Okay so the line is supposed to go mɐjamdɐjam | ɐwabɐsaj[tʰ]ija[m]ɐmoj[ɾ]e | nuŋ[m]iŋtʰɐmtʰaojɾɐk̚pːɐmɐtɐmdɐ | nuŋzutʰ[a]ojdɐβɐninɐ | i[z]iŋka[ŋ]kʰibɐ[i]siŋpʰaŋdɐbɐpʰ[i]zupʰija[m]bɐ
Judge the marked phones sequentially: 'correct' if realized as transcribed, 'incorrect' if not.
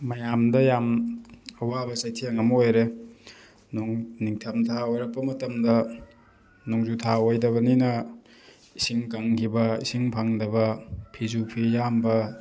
correct, incorrect: ŋ, correct, incorrect: n, correct, incorrect: s, correct, correct, correct, correct

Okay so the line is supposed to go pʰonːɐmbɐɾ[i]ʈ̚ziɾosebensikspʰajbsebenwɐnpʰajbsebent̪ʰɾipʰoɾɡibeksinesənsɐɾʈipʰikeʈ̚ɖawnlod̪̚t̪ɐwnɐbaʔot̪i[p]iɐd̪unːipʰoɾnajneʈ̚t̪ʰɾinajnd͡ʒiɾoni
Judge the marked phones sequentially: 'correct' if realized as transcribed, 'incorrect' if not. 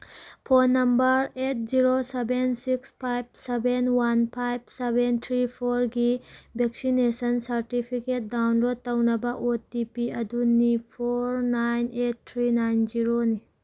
incorrect: e, correct

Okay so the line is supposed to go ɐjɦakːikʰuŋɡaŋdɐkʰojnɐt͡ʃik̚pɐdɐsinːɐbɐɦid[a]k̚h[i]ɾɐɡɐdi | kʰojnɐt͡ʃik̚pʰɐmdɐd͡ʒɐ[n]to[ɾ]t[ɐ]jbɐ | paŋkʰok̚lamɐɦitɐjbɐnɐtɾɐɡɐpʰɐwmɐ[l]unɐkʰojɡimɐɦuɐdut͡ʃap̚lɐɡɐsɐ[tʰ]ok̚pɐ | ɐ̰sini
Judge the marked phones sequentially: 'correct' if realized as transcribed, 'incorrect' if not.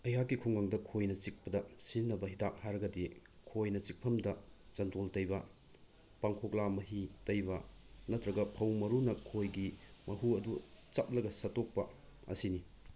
correct, incorrect: a, correct, incorrect: l, correct, incorrect: ɾ, incorrect: t

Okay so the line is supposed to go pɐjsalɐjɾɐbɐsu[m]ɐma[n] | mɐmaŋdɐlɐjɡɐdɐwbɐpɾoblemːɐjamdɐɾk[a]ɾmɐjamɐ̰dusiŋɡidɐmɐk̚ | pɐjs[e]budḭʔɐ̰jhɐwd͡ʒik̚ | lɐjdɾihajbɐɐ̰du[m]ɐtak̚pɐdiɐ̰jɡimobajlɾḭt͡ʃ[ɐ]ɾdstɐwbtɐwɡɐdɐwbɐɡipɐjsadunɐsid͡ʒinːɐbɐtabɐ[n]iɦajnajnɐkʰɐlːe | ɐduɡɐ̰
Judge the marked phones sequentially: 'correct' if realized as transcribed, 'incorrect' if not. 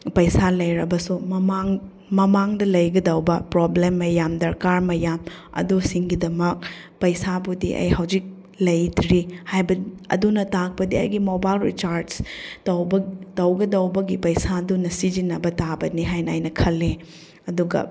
correct, incorrect: ŋ, correct, incorrect: a, incorrect: n, incorrect: a, correct

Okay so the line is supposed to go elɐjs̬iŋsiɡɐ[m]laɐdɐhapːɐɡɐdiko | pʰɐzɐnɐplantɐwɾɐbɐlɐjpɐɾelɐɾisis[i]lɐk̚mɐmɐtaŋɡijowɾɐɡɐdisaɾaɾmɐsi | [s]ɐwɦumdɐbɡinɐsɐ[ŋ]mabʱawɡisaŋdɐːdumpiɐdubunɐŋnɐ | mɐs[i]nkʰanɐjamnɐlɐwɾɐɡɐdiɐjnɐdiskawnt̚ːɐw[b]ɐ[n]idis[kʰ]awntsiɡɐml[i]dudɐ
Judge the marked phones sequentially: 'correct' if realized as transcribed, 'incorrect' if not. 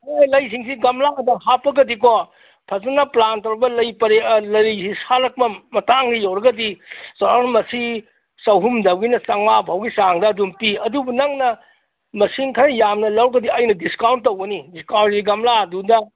correct, incorrect: a, correct, correct, correct, incorrect: ɡ, correct, incorrect: k, incorrect: a

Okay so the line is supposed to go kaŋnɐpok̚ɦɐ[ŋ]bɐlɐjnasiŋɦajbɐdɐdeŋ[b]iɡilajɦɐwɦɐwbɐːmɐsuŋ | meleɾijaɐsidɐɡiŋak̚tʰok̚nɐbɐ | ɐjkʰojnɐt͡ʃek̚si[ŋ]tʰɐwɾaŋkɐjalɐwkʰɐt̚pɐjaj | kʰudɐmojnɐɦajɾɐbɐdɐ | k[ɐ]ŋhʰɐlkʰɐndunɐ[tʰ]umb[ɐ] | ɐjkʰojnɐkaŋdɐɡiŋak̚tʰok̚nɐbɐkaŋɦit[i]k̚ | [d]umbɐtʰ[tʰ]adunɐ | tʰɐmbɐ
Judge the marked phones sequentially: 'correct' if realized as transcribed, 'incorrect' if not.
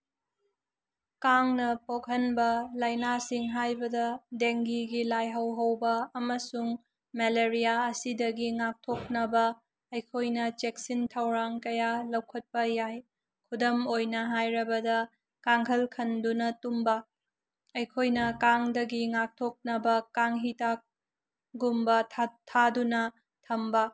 incorrect: n, incorrect: ɡ, incorrect: n, incorrect: a, incorrect: t, correct, incorrect: a, incorrect: ɡ, correct

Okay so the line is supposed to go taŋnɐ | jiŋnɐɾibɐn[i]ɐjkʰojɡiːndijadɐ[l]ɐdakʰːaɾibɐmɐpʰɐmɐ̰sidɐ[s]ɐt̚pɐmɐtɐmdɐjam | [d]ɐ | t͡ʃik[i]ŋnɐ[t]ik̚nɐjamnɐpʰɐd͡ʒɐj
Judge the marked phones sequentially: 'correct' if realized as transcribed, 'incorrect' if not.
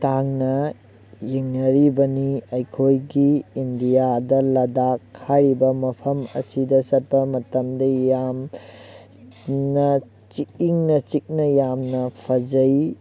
correct, correct, correct, incorrect: n, correct, incorrect: t͡ʃ

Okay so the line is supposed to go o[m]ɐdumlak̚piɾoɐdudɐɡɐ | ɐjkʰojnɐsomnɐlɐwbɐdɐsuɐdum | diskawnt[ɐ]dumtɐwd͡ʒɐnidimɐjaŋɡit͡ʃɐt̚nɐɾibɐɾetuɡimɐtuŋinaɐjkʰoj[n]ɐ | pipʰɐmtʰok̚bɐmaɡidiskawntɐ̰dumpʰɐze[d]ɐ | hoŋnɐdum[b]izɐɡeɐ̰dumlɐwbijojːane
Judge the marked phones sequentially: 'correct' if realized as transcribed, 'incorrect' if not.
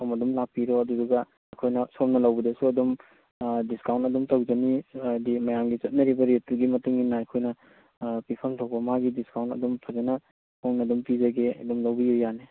correct, correct, correct, incorrect: n, incorrect: p

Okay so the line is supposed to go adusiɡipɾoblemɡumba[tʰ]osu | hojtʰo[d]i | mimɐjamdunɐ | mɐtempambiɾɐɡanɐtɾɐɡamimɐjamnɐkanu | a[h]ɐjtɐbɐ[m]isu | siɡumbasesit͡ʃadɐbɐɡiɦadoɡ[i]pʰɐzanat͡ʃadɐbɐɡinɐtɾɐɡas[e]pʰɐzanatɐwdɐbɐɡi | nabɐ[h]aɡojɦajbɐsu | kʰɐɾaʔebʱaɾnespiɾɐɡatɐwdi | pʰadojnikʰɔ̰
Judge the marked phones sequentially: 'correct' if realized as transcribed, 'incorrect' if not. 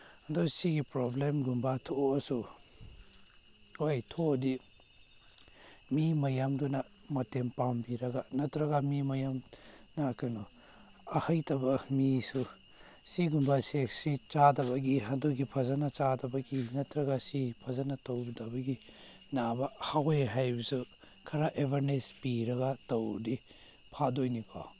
correct, correct, correct, correct, correct, incorrect: i, correct

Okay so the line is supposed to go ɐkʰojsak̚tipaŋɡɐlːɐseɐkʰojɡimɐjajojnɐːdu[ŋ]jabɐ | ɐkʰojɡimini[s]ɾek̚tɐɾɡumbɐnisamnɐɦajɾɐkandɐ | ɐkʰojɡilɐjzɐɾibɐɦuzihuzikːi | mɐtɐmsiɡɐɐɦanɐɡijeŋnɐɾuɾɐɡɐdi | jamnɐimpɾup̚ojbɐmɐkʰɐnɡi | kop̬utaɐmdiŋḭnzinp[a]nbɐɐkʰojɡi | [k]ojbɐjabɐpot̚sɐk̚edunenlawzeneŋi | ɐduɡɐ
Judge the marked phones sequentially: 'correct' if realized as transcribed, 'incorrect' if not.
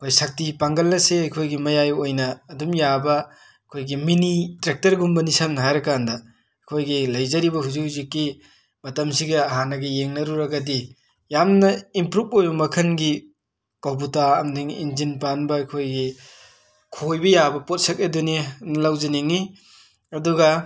incorrect: m, incorrect: t, correct, incorrect: kʰ

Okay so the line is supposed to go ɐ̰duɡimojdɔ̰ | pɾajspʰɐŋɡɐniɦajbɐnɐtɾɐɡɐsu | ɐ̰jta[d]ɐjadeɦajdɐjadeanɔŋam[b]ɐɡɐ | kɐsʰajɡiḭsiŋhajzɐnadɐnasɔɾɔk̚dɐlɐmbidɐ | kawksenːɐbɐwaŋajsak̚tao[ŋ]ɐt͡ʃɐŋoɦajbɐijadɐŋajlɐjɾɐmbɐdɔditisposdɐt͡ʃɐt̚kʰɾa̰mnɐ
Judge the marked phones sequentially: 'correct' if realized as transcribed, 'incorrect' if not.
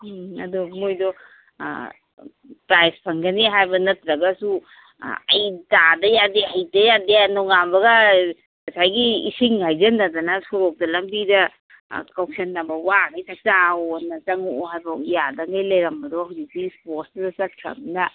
correct, correct, incorrect: n

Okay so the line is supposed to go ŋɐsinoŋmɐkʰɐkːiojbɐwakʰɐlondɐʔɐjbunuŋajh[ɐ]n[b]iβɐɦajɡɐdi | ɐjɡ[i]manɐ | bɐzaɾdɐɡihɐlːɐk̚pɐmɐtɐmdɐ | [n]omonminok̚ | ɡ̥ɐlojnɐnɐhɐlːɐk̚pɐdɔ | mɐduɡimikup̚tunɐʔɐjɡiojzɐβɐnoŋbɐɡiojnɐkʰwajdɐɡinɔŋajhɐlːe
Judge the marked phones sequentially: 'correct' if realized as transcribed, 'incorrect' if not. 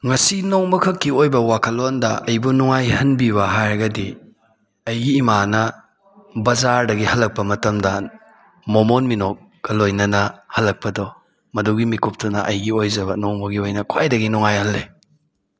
correct, correct, incorrect: iː, incorrect: m

